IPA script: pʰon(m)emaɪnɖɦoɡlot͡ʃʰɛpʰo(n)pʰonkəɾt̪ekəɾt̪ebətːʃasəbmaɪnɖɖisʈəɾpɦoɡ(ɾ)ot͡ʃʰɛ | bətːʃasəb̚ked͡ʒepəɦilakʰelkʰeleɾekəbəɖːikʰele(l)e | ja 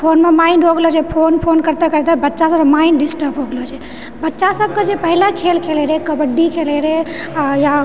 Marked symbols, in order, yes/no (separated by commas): yes, yes, no, no